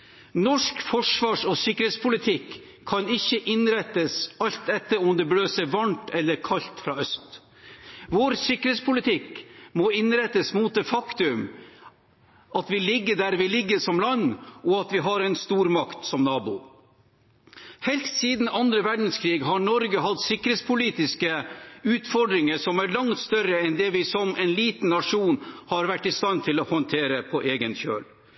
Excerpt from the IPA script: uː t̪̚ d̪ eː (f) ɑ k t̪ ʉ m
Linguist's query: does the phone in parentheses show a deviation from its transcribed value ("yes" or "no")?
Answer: no